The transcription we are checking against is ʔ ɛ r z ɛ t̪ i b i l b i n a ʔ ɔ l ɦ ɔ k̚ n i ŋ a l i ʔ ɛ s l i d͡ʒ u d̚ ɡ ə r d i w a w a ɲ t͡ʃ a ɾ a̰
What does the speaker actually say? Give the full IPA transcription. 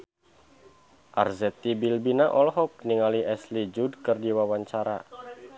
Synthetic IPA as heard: ʔ a r z ɛ t̪ i b i l b i n a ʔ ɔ l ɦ ɔ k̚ n i ŋ a l i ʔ ɛ s l i d͡ʒ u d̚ k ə r d i w a w a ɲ t͡ʃ a ɾ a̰

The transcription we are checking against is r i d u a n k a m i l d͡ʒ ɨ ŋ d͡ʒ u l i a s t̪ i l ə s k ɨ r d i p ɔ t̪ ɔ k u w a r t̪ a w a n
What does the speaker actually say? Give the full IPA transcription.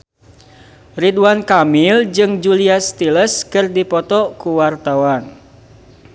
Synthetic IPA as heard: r i d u a n k a m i l d͡ʒ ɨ ŋ d͡ʒ u l i a s t̪ i l ə s k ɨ r d i p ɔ t̪ ɔ k u w a r t̪ a w a n

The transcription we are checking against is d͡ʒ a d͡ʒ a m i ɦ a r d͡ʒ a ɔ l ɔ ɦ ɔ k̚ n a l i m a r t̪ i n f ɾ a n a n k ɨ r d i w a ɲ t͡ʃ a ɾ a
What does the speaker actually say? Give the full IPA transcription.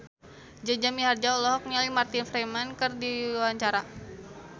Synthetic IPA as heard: d͡ʒ a d͡ʒ a m i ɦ a r d͡ʒ a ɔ l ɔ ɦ ɔ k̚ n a l i m a r t̪ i n f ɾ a m a n k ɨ r d i w a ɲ t͡ʃ a ɾ a

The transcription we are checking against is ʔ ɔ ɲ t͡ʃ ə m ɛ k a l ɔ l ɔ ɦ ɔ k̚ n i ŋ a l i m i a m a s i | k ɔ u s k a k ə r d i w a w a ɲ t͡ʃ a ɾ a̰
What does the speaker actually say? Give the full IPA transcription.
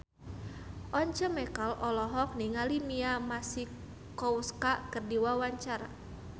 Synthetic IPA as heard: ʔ ɔ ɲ t͡ʃ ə m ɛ k a l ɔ l ɔ ɦ ɔ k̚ n i ŋ a l i m i a m a s i | k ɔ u s k a k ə r d i w a w a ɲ t͡ʃ a ɾ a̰

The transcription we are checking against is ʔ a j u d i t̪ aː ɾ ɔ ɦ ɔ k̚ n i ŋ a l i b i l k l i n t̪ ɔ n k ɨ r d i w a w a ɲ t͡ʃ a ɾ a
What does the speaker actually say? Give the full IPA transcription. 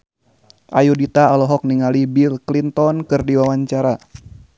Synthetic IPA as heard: ʔ a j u d i t̪ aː l ɔ ɦ ɔ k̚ n i ŋ a l i b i l k l i n t̪ ɔ n k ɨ r d i w a w a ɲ t͡ʃ a ɾ a

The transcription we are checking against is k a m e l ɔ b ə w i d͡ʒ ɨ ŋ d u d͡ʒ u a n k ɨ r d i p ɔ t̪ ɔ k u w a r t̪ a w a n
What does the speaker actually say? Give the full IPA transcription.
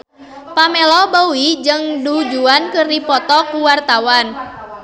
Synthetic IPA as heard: p a m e l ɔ b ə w i d͡ʒ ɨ ŋ d u d͡ʒ u a n k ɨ r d i p ɔ t̪ ɔ k u w a r t̪ a w a n

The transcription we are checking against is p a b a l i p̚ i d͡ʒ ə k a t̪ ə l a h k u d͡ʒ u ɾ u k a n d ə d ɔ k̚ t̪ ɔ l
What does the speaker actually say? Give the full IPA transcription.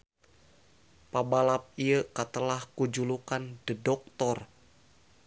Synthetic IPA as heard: p a b a l a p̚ i ə k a t̪ ə l a h k u d͡ʒ u l u k a n d ə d ɔ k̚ t̪ ɔ r

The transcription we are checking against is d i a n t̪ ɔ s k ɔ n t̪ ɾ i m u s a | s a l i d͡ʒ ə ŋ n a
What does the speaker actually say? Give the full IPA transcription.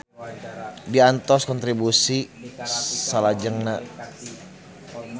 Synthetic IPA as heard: d i a n t̪ ɔ s k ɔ n t̪ ɾ i b u s i | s a l a d͡ʒ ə ŋ n a

